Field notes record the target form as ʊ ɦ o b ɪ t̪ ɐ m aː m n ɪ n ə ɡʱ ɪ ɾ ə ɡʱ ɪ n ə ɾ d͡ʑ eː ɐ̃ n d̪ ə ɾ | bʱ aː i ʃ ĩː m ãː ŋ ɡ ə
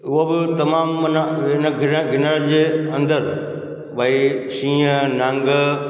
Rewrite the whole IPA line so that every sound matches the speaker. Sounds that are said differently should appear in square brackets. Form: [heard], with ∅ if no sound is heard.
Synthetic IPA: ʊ ɦ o b ɪ t̪ ɐ m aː m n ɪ n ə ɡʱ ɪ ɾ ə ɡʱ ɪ n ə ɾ d͡ʑ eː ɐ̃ n d̪ ə ɾ | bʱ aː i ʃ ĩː [n] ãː ŋ ɡ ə

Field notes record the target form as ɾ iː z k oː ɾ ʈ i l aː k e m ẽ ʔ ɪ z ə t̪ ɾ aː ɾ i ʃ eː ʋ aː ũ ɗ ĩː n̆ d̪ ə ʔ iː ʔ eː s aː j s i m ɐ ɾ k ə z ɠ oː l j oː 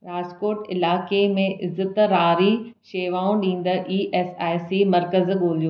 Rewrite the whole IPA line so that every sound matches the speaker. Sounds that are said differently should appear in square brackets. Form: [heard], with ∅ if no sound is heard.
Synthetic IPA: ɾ [aː] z k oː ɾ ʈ [ɪ] l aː k e m ẽ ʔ ɪ z ə t̪ ɾ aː ɾ i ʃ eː ʋ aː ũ ɗ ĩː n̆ d̪ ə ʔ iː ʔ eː s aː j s i m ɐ ɾ k ə z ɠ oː l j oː

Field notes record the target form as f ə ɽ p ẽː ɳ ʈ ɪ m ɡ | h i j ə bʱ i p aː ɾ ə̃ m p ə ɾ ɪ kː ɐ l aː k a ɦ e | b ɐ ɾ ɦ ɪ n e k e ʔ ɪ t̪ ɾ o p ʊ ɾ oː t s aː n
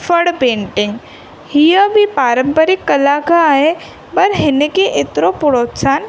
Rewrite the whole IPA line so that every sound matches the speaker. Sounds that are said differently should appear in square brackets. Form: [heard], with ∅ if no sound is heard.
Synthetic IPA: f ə ɽ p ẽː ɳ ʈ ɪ [ŋ] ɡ | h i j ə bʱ i p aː ɾ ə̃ m p ə ɾ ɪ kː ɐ l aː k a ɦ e | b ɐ ɾ ɦ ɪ n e k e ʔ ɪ t̪ ɾ o p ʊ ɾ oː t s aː n

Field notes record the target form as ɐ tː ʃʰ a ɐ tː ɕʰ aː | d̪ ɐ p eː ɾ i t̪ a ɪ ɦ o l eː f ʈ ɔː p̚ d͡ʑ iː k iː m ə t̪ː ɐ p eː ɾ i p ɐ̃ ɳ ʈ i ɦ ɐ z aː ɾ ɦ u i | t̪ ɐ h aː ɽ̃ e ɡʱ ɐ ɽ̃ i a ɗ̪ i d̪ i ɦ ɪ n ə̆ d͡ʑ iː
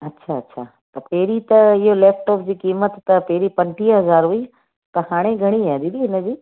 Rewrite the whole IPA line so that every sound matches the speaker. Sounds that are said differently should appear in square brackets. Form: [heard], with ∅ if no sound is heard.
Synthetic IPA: ɐ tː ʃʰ a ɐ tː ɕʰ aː | [t̪] ɐ p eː ɾ i t̪ [ɐ] ɪ ɦ o l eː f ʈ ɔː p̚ d͡ʑ iː k iː m ə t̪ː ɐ p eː ɾ i p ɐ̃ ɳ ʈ i ɦ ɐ z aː ɾ ɦ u i | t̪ ɐ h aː ɽ̃ e ɡʱ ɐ ɽ̃ i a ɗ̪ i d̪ i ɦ ɪ n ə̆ d͡ʑ iː

